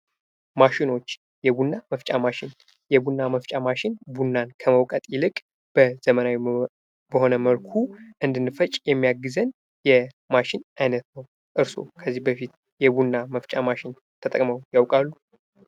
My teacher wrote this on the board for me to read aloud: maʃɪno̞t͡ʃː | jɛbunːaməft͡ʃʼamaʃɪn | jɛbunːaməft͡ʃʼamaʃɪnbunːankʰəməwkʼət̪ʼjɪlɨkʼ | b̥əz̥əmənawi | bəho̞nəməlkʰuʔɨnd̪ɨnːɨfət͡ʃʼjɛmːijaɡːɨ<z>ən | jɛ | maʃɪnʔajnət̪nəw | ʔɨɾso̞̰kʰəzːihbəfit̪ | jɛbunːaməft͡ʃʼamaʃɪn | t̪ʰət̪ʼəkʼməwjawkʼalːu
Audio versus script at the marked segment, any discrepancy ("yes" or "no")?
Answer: no